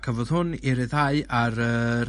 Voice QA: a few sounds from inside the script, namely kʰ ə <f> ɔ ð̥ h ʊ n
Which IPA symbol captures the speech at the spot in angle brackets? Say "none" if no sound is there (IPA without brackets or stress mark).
v